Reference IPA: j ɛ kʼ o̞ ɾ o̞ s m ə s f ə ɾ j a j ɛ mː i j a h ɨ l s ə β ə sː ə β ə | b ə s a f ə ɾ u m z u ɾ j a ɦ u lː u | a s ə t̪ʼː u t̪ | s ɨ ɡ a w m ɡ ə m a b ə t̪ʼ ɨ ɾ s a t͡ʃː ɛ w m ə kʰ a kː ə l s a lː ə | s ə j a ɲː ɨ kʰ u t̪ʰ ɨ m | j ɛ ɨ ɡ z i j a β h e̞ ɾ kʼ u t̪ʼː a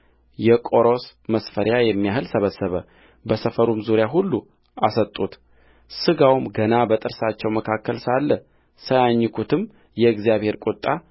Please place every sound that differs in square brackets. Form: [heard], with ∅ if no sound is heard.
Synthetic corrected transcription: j ɛ kʼ o̞ ɾ o̞ s m ə s f ə ɾ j a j ɛ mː i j a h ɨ l s ə β ə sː ə β ə | b ə s [ə] f ə ɾ u m z u ɾ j a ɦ u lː u | a s ə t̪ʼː u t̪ | s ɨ ɡ a w m ɡ ə [n] a b ə t̪ʼ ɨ ɾ s a t͡ʃː ɛ w m ə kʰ a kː ə l s a lː ə | s ə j a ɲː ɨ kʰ u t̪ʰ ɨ m | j ɛ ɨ ɡ z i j a β h e̞ ɾ kʼ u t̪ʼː a